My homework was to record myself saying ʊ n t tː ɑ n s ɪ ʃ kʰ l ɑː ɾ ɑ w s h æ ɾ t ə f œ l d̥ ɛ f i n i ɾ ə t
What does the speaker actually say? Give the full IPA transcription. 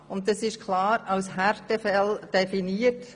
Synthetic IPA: ʊ n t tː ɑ s ɪ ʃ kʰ l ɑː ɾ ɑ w s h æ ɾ t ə f ɛ l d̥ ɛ f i n i ə t

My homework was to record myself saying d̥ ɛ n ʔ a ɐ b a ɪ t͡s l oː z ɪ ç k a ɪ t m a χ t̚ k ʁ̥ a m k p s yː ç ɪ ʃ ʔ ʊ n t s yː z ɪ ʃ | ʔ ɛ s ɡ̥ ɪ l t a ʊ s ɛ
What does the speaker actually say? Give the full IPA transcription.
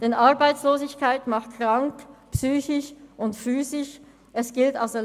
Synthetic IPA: d̥ ɛ n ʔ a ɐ b a ɪ t͡s l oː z ɪ ç k a ɪ t m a χ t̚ k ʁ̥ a ŋ k p s yː ç ɪ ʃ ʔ ʊ n t f yː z ɪ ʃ | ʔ ɛ s ɡ̥ ɪ l t a ʊ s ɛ

